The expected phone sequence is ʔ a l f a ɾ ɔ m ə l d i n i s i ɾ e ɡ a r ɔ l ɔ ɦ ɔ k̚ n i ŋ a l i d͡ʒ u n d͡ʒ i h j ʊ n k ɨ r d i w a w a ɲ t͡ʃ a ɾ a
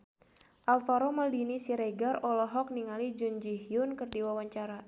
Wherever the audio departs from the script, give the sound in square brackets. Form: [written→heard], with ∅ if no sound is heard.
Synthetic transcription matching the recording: ʔ a l f a ɾ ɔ m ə l d i n i s i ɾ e ɡ a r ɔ l ɔ ɦ ɔ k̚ n i ŋ a l i d͡ʒ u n d͡ʒ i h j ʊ n k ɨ r d i w a w a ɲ t͡ʃ a ɾ a